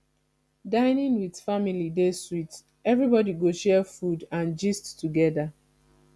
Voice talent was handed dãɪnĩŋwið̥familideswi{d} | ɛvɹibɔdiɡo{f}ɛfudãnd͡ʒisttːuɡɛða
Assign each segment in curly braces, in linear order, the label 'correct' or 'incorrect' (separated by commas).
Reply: incorrect, incorrect